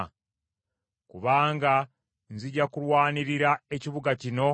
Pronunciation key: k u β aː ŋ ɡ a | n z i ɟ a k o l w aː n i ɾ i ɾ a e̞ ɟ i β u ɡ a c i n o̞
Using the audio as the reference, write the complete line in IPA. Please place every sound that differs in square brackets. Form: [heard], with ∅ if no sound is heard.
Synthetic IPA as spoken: k u β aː ŋ ɡ a | n z i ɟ a k [u] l w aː n i ɾ i ɾ a e̞ [c] i β u ɡ a c i n o̞